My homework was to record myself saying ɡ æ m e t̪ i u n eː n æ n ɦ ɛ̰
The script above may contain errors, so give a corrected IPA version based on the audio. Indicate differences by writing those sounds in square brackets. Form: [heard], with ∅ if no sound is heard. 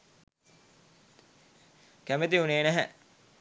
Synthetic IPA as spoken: [k] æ m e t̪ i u n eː n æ [∅] ɦ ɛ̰